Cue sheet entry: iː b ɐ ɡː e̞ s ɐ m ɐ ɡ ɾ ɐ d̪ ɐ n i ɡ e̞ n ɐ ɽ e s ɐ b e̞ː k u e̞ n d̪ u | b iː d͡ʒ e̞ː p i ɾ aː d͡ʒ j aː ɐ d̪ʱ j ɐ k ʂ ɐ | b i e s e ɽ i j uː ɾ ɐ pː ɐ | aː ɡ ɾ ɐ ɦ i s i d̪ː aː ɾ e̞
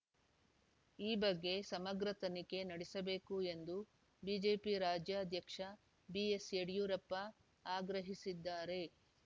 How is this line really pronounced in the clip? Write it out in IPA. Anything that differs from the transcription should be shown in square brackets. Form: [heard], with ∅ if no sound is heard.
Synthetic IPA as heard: iː b ɐ ɡː e̞ s ɐ m ɐ ɡ ɾ ɐ [t̪] ɐ n i [k] e̞ n ɐ ɽ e s ɐ b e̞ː k u e̞ n d̪ u | b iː d͡ʒ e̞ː p i ɾ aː d͡ʒ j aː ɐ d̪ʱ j ɐ k ʂ ɐ | b i e s e ɽ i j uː ɾ ɐ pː ɐ | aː ɡ ɾ ɐ ɦ i s i d̪ː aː ɾ e̞